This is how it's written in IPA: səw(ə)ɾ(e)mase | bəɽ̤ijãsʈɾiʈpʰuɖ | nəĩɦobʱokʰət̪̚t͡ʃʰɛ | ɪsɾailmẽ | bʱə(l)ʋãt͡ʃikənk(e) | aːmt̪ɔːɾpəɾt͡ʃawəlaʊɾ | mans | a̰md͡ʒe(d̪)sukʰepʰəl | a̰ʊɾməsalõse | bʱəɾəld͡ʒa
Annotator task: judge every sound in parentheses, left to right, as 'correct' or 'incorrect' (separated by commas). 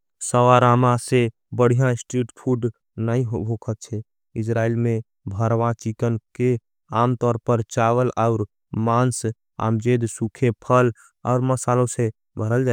incorrect, incorrect, incorrect, correct, correct